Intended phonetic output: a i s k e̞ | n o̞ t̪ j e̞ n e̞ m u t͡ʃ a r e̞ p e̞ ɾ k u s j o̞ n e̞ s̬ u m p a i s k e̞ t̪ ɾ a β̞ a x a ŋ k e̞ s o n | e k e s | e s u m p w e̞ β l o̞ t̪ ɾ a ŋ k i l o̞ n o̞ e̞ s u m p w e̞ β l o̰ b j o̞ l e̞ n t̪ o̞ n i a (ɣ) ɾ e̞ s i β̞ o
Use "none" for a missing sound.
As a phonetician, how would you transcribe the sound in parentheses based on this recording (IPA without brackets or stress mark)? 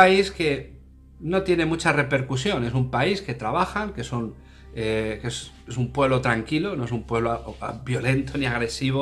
ɣ